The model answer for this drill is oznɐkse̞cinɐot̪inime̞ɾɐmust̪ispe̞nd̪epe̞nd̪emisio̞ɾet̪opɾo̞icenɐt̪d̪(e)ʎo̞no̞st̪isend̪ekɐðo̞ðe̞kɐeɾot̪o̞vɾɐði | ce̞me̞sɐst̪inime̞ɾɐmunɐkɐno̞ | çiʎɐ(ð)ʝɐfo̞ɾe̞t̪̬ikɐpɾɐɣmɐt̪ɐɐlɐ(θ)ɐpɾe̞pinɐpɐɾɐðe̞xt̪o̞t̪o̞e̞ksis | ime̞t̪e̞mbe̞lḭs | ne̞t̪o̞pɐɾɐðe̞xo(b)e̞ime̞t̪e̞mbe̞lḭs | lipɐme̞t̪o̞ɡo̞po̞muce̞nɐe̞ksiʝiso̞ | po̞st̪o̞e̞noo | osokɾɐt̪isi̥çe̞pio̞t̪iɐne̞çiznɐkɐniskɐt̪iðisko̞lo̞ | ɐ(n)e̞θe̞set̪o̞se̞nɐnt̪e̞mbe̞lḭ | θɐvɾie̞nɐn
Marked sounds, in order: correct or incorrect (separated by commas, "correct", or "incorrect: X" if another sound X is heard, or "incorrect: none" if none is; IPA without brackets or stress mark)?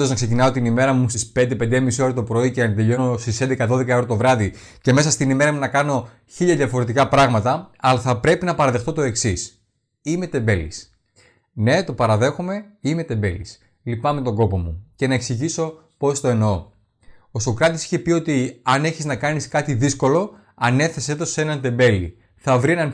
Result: correct, correct, correct, incorrect: m, correct